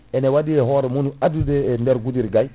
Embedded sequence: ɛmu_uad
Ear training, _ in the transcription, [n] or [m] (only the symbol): n